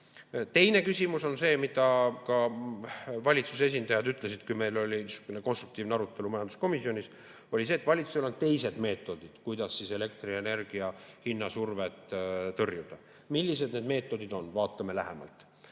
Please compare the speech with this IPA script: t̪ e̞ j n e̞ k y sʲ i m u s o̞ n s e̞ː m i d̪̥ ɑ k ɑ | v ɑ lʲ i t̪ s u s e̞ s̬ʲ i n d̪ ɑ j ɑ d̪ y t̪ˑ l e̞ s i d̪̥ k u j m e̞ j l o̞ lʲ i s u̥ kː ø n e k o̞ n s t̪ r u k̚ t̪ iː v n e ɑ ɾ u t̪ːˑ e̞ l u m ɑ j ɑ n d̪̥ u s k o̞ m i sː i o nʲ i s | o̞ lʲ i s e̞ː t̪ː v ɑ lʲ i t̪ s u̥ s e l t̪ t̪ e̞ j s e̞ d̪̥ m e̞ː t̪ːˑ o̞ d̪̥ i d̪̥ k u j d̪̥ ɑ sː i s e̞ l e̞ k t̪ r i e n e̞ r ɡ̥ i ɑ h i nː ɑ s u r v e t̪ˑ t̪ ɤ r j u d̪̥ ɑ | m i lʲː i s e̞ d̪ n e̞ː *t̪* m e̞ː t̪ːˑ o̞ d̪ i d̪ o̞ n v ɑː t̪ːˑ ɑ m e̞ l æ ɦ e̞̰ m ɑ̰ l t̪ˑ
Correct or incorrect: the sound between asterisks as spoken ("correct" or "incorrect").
incorrect